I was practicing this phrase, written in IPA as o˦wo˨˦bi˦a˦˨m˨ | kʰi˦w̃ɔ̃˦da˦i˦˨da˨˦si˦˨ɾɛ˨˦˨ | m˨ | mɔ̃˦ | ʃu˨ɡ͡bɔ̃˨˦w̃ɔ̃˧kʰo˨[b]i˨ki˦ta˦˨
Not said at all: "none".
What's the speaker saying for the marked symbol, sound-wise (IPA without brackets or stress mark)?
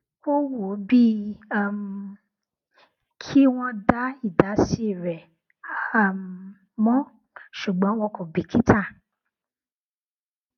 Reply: b